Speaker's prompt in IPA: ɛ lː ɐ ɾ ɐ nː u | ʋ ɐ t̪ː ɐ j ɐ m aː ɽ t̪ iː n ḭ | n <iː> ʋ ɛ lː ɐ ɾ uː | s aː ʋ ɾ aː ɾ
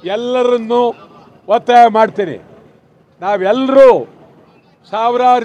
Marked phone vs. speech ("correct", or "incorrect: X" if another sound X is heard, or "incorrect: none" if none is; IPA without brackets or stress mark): incorrect: aː